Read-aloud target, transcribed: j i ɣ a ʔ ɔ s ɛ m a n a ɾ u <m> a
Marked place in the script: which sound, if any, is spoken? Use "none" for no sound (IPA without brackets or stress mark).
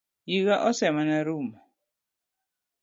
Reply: m